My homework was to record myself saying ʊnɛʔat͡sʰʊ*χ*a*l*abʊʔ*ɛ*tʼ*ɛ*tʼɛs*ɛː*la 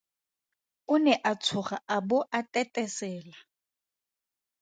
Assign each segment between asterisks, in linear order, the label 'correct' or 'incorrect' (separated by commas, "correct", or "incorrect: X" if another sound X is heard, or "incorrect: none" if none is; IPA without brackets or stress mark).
correct, incorrect: none, incorrect: a, correct, correct